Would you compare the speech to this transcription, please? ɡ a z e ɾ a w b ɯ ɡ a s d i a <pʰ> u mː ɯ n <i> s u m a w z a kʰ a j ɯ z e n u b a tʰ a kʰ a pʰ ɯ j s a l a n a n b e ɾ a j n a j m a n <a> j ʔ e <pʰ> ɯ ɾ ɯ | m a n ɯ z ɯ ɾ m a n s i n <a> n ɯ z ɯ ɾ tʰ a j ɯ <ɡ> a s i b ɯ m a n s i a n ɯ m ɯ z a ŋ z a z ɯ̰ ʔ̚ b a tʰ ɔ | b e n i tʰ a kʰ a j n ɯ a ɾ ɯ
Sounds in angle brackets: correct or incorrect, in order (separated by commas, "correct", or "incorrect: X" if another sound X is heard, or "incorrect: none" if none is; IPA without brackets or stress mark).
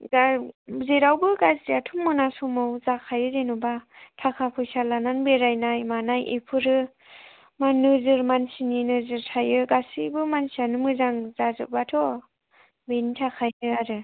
incorrect: tʰ, incorrect: a, correct, correct, incorrect: i, correct